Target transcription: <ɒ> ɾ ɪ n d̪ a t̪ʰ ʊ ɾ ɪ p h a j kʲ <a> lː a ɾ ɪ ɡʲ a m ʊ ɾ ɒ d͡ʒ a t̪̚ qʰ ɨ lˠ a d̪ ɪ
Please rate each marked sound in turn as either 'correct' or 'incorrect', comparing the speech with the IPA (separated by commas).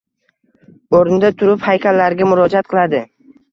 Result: incorrect, correct